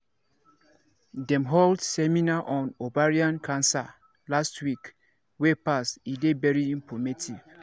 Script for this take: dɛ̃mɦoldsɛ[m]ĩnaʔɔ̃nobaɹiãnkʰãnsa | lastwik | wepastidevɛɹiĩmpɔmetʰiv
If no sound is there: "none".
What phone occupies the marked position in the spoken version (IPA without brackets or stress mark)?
m